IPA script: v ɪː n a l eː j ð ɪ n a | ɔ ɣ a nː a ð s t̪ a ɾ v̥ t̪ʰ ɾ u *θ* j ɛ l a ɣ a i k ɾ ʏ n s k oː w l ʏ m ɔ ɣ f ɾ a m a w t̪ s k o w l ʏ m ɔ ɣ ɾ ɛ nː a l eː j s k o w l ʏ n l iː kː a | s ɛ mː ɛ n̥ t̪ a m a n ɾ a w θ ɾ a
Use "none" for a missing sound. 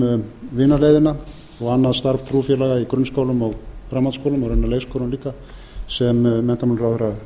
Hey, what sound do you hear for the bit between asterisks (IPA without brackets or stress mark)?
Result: f